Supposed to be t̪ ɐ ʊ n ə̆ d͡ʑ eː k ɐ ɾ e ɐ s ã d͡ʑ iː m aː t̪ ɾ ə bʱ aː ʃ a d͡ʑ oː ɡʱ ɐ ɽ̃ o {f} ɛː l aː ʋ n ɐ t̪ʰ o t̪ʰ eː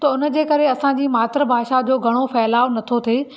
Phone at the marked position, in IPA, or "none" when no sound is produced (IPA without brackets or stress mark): f